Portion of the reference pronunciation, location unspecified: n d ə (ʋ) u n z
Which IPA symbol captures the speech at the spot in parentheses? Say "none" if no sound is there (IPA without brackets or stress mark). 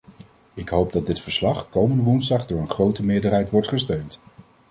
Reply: ʋ